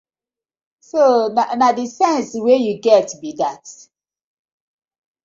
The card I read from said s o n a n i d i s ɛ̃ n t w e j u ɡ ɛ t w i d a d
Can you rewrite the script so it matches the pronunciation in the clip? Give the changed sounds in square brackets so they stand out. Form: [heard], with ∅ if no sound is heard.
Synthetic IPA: s o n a n [a] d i s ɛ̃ n [s] w e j u ɡ ɛ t [b] i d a [t]